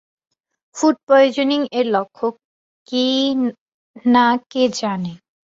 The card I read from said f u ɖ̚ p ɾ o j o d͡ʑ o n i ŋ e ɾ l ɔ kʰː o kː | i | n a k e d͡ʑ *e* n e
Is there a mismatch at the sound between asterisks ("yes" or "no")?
yes